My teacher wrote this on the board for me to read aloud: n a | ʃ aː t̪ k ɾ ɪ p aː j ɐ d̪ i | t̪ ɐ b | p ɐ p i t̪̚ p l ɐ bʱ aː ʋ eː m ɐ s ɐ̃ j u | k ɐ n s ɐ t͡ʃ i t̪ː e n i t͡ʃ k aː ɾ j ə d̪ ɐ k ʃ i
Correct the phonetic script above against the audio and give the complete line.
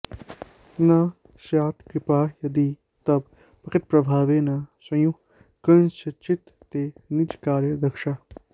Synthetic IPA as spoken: n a | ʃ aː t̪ k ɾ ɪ p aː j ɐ d̪ i | t̪ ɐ b | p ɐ k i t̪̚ p ɾ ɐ bʱ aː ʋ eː n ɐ s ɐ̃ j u | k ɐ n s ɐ t͡ʃ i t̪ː e n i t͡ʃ k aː ɾ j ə d̪ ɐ k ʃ a